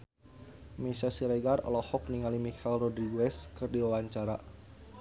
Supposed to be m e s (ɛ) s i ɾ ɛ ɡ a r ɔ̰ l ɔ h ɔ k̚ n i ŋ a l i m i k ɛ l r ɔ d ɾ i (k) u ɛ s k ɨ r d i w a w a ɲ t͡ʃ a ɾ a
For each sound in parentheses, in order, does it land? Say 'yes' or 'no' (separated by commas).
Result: no, no